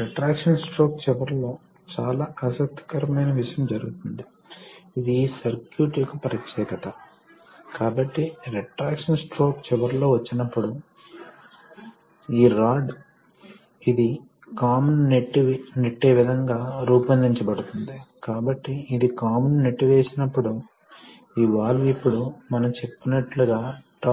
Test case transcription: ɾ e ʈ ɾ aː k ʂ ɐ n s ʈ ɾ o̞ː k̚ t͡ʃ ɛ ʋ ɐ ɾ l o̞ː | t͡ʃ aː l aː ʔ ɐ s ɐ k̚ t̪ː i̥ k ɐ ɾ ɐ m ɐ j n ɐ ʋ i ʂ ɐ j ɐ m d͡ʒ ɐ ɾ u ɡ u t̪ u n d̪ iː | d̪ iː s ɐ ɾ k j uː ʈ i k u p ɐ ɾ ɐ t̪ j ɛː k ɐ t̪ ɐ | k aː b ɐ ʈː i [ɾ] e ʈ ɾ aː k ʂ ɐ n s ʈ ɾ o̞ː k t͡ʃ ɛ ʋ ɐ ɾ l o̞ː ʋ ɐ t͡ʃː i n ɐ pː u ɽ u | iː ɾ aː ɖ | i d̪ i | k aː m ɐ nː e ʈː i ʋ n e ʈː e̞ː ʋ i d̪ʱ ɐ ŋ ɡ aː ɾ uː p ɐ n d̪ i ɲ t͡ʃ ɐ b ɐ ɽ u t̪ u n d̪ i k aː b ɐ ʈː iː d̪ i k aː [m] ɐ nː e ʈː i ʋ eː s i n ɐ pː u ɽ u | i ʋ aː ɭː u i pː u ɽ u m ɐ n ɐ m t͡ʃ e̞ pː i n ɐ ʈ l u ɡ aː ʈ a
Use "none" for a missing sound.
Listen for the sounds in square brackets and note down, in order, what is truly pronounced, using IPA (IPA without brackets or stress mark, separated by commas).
ɾ, m